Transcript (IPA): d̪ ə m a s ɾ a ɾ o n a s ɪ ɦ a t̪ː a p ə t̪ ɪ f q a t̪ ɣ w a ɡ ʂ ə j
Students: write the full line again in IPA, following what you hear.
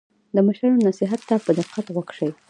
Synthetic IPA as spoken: d̪ ə m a ʃ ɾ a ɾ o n a s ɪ ɦ a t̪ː a p ə d̪ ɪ f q a t̪ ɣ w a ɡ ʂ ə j